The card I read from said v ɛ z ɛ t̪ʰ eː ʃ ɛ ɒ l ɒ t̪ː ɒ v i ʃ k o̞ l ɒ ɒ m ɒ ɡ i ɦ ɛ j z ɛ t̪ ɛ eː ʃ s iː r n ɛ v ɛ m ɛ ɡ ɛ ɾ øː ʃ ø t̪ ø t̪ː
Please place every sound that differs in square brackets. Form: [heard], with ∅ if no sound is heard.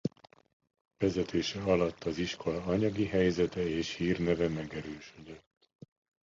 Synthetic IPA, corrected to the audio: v ɛ z ɛ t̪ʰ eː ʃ ɛ ɒ l ɒ t̪ː ɒ [z] i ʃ k o̞ l ɒ ɒ [ɲ] ɒ ɡ i ɦ ɛ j z ɛ t̪ ɛ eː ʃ [h] iː r n ɛ v ɛ m ɛ ɡ ɛ ɾ øː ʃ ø [d̪] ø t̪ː